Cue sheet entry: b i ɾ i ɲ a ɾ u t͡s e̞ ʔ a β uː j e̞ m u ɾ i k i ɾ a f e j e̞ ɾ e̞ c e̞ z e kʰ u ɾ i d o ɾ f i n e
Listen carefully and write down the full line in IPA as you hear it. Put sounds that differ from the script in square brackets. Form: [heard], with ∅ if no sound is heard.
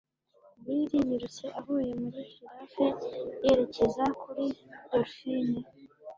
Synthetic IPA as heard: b i ɾ i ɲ [i] ɾ u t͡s e̞ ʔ a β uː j e̞ m u ɾ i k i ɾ a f e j e̞ ɾ e̞ c e̞ z [a] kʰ u ɾ i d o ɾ f i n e

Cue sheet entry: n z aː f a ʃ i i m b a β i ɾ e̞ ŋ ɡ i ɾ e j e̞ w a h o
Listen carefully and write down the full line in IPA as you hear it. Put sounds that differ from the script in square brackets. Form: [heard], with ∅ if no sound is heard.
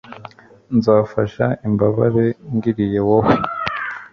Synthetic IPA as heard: n z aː f a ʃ [a] i m b a β [a] ɾ e̞ ŋ ɡ i ɾ [i] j e̞ w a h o

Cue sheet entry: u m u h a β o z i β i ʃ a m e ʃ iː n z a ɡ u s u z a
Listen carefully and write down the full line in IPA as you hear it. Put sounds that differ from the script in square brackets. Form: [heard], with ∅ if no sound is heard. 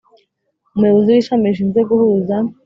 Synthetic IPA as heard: u m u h [e] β o z i [w] i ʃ a m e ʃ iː n z [e] ɡ u [h] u z a

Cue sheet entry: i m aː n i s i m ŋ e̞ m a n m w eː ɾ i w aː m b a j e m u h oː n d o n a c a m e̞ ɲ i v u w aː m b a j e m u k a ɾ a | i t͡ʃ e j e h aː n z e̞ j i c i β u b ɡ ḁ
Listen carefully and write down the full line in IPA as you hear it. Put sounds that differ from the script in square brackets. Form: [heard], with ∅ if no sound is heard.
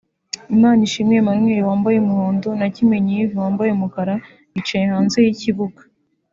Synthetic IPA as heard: i m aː n i [ʃ] i m ŋ e̞ m a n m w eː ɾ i w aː m b a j e m u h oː n d o n a c [i] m e̞ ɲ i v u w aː m b a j e m u k a ɾ a | i t͡ʃ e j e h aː n z e̞ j i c i β u [∅] ɡ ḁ

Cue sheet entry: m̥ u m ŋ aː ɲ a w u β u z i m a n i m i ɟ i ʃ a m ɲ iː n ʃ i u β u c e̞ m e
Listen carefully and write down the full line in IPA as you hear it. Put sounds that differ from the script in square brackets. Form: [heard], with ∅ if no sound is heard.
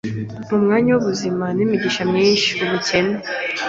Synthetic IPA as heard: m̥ u m ŋ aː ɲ a w u β u z i m a n i m i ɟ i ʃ a m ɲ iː n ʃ i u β u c e̞ [n] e

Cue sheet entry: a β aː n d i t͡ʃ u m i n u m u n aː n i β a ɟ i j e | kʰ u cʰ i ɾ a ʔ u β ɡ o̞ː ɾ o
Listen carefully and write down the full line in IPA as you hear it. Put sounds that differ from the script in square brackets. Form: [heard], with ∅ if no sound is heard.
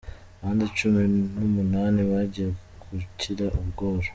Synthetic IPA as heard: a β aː n d i t͡ʃ u m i n u m u n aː n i β a ɟ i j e | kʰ u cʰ i ɾ a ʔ u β ɡ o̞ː ɾ o

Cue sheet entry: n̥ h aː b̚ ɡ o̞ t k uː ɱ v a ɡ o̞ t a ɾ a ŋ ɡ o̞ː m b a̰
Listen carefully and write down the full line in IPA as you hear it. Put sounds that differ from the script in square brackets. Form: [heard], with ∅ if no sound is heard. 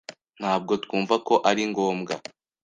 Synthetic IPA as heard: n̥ h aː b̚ ɡ o̞ t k uː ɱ v a [k] o̞ [ʔ] a ɾ [i] ŋ ɡ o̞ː m [ɡ] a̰

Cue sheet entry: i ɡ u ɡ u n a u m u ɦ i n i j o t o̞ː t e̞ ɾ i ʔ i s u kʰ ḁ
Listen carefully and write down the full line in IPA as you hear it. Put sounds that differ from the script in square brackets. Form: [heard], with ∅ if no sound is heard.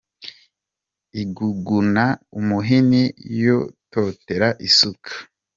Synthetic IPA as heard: i ɡ u ɡ u n a u m u ɦ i n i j o t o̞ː t e̞ ɾ [a] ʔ i s u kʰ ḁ

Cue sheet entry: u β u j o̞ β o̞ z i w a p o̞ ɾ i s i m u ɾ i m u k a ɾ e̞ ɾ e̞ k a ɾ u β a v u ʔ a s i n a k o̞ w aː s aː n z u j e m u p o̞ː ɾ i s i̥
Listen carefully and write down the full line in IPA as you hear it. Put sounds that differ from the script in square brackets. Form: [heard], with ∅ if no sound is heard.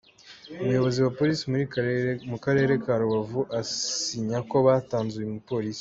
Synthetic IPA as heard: u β u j o̞ β o̞ z i w a p o̞ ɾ i s i m u ɾ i m u k a ɾ e̞ ɾ e̞ k a ɾ u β a v u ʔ a s i [ɲ] a k o̞ [β] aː [t] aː n z u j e m u p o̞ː ɾ i s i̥

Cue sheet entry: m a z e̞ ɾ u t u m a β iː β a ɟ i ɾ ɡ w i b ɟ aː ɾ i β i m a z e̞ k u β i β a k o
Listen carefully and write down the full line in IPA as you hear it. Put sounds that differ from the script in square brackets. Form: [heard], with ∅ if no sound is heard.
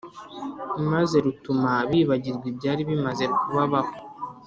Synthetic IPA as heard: m a z e̞ ɾ u t u m a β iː β a ɟ i ɾ ɡ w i b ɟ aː ɾ i β i m a z e̞ k u β [a] β a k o

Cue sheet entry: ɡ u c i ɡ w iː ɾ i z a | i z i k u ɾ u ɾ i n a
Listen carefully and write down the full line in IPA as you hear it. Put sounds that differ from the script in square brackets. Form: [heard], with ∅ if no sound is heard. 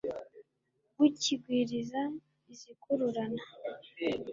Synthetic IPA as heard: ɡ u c i ɡ w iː ɾ i z a | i z i k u ɾ u ɾ [a] n a

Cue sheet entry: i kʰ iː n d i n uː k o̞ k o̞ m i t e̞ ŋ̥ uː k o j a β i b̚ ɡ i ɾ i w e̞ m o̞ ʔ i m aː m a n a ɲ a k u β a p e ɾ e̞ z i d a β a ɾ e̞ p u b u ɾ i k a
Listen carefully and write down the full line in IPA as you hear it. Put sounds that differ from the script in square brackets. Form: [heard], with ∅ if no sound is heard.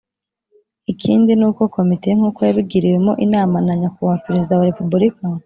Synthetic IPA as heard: i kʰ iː n d i n uː k o̞ k o̞ m i t e̞ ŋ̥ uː k o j a β i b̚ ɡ i ɾ i w e̞ m o̞ ʔ i [n] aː m a n a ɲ a k u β a p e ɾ e̞ z i d a [w] a ɾ e̞ p u b u ɾ i k a

